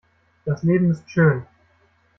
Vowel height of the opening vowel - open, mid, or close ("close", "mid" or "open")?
open